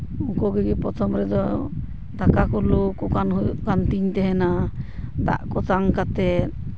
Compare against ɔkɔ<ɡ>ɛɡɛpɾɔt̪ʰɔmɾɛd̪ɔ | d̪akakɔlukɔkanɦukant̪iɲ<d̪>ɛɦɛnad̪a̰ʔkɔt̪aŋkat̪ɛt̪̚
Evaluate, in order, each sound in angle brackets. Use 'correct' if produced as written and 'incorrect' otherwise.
correct, incorrect: t̪

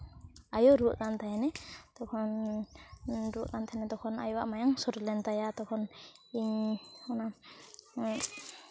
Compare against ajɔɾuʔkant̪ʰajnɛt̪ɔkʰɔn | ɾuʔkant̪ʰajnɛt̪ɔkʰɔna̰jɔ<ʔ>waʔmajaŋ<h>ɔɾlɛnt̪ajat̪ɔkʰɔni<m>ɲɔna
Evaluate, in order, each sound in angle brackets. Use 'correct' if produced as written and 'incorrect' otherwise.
incorrect: none, incorrect: s, incorrect: none

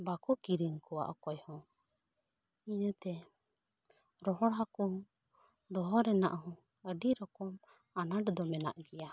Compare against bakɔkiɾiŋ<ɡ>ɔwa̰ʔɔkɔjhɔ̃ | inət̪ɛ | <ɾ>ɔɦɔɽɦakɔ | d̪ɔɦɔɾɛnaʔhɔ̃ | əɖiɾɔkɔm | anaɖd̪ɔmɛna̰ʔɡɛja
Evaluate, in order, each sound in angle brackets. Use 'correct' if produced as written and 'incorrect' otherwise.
incorrect: k, correct

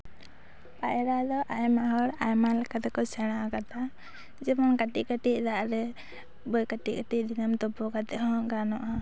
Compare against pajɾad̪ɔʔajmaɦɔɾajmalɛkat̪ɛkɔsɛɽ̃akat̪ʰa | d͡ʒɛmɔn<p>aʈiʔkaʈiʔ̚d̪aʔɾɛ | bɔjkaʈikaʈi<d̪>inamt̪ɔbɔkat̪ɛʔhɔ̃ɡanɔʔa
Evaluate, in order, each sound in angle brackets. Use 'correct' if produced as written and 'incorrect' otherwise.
incorrect: k, correct

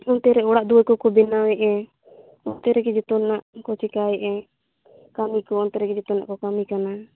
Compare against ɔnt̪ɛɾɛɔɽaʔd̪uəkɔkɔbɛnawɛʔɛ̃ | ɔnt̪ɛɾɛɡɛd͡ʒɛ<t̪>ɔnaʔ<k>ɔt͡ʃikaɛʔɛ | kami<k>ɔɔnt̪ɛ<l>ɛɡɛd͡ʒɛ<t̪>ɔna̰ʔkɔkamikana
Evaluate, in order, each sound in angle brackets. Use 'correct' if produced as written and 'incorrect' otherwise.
correct, correct, correct, incorrect: ɾ, correct

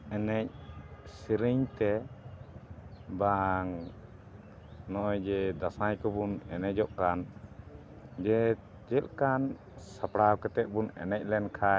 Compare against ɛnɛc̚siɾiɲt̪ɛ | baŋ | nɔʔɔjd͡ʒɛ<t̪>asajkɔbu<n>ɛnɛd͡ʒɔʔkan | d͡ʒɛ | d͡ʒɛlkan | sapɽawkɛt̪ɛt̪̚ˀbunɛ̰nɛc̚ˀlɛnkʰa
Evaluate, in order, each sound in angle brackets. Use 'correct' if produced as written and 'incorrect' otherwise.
incorrect: d̪, correct

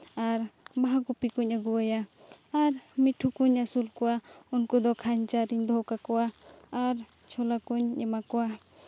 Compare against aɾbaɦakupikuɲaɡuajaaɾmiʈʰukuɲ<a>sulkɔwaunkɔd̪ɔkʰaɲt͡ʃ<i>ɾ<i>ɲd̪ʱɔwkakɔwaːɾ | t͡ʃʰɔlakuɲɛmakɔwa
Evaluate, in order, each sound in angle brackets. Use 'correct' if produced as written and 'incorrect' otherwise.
correct, incorrect: a, correct

